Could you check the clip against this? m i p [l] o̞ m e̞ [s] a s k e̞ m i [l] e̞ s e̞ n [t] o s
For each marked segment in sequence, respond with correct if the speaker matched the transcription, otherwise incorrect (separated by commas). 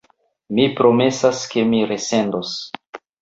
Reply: incorrect, correct, incorrect, incorrect